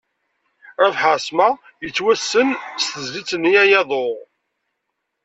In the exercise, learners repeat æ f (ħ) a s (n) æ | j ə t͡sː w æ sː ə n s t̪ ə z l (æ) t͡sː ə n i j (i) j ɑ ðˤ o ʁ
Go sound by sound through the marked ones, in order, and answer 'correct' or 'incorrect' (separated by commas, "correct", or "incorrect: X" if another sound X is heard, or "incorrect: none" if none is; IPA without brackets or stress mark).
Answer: correct, incorrect: m, incorrect: i, incorrect: æ